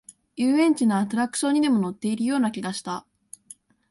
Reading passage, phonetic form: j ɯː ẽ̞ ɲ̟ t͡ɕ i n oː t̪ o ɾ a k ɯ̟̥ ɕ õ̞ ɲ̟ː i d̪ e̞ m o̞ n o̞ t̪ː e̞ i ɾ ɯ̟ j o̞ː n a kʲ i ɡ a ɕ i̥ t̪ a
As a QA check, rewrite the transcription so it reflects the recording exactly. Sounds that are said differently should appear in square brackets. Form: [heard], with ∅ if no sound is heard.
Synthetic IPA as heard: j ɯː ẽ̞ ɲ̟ t͡ɕ i n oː t̪ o ɾ a k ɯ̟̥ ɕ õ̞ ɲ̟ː i d̪ e̞ m o̞ n o̞ t̪ː e̞ i ɾ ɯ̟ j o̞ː n a kʲ i ɡ a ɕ i̥ t̪ a